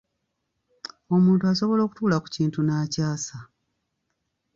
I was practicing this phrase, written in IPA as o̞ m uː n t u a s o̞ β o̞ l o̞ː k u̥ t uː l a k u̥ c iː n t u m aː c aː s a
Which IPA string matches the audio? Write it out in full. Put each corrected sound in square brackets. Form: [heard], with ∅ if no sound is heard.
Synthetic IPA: o̞ m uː n t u a s o̞ β o̞ l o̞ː k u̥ t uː l a k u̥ c iː n t u [n] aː c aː s a